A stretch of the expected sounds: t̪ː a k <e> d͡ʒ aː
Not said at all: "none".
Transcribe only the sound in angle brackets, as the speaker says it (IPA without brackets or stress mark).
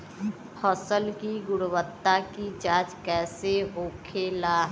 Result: i